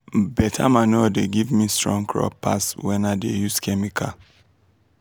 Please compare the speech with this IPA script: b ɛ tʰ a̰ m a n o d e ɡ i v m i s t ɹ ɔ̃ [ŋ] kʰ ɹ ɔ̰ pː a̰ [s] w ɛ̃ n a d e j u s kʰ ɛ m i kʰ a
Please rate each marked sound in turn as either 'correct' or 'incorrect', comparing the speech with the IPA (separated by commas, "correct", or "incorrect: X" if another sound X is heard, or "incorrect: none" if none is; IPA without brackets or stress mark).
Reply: correct, correct